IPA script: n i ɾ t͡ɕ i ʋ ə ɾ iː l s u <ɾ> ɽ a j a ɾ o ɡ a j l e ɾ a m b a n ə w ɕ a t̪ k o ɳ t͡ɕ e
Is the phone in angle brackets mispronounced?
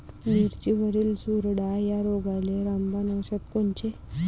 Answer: no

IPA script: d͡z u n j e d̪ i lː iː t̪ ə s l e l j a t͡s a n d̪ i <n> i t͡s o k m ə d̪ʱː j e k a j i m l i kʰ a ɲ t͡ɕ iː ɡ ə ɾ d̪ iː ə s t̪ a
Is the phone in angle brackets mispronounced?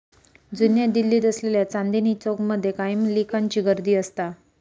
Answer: no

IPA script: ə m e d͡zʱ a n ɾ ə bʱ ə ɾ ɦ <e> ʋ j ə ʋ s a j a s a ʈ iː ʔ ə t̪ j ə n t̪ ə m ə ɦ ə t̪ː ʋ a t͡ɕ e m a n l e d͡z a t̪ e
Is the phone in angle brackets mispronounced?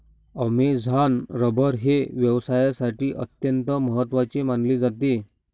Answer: no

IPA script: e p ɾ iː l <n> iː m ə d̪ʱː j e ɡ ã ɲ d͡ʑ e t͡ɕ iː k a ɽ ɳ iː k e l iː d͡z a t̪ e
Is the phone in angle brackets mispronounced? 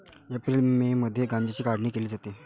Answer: yes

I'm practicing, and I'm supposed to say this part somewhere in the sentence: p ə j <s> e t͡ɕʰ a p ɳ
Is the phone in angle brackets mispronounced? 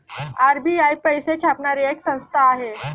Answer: no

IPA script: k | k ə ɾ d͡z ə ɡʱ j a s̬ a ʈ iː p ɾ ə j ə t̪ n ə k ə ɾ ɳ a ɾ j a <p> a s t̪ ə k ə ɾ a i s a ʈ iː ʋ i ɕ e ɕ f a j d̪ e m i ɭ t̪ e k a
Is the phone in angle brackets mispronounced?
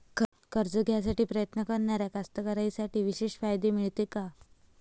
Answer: yes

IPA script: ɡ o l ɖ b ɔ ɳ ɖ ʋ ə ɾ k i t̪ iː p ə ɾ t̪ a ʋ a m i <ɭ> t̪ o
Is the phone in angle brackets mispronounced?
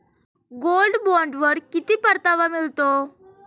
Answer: yes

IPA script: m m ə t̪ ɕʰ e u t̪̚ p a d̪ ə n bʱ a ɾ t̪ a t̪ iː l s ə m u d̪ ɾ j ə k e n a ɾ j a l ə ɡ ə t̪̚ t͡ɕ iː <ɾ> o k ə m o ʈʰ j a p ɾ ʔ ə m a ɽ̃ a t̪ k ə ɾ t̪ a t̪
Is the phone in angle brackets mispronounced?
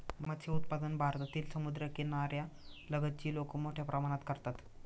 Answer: yes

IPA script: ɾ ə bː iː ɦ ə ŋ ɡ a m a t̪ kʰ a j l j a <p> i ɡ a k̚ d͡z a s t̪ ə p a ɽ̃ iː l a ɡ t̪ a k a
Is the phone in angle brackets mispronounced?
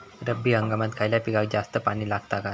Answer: no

